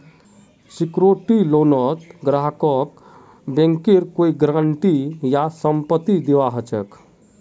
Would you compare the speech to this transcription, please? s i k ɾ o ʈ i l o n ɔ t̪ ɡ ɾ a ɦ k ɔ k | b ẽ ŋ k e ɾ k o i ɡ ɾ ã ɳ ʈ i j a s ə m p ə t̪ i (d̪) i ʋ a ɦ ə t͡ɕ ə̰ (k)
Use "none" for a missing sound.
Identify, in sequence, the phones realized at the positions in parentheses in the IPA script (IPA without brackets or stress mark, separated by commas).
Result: d̪, k